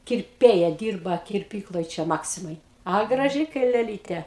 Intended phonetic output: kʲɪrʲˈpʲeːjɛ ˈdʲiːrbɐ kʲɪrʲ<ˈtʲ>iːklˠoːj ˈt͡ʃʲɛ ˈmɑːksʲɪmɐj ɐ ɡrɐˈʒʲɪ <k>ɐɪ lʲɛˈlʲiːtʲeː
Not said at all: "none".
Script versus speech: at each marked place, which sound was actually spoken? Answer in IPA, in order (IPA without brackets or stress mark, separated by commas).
pʲ, k